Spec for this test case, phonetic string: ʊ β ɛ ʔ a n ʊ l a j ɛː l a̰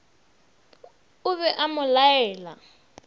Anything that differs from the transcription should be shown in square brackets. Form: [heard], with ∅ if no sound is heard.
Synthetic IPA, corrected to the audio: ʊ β ɛ ʔ a [m] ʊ l a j ɛː l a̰

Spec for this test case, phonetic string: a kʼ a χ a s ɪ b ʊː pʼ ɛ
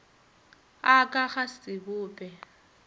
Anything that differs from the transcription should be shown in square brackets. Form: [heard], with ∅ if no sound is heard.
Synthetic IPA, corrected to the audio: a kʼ a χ a s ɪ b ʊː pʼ ɛ

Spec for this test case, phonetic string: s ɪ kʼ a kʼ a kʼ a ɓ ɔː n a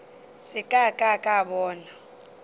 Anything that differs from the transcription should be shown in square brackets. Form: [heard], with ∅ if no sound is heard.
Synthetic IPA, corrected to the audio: s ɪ kʼ a kʼ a kʼ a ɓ ɔː n a

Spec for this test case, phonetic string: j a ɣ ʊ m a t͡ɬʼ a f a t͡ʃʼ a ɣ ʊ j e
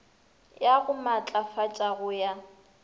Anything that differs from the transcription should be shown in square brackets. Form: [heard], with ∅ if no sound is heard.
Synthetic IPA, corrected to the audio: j a ɣ ʊ m a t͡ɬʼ a f a t͡ʃʼ a ɣ ʊ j [a]

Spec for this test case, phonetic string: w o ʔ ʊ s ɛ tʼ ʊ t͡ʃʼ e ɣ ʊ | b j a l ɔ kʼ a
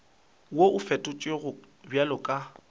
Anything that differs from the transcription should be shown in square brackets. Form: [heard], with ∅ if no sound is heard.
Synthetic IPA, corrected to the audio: w o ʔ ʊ [f] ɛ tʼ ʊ t͡ʃʼ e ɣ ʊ | b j a l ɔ kʼ a

